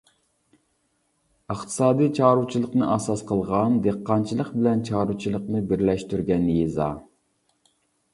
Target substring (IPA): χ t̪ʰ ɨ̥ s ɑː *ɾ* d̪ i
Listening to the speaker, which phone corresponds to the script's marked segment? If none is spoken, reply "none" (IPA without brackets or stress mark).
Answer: none